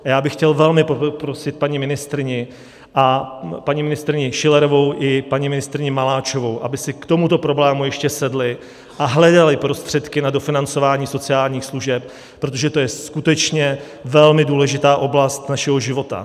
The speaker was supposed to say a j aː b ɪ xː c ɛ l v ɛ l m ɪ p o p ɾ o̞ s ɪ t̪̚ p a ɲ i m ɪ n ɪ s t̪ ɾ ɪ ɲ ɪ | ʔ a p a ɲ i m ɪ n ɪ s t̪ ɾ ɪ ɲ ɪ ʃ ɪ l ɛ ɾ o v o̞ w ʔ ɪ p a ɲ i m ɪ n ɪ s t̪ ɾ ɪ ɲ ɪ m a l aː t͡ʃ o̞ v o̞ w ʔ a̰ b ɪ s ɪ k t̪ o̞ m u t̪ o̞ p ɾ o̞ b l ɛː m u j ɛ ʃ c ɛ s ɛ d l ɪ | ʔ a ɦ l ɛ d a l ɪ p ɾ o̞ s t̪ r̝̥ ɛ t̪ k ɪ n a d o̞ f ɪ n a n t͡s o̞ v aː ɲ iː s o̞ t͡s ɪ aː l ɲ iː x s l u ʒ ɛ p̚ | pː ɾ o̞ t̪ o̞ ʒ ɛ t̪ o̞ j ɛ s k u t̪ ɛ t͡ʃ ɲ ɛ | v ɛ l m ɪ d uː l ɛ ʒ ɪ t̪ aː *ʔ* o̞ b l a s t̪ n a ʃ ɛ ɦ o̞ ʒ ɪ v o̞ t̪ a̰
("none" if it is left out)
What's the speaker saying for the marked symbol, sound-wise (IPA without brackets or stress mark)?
ʔ